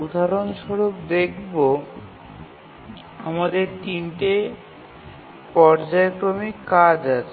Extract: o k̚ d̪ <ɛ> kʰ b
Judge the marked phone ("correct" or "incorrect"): incorrect